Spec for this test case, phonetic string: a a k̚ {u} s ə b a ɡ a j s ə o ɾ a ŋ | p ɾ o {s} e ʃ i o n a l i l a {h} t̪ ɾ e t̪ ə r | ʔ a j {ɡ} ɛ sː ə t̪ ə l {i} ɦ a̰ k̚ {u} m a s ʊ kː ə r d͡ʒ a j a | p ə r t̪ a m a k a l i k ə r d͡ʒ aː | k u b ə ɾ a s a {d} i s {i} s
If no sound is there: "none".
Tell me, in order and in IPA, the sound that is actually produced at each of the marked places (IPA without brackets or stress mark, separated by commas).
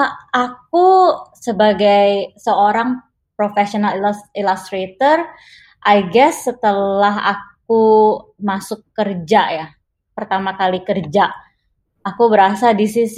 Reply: u, f, s, ɡ, a, u, d, i